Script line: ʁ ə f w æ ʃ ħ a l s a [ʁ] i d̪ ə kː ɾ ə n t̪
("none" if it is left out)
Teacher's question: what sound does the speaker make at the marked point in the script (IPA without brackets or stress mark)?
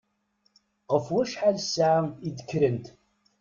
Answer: ʕ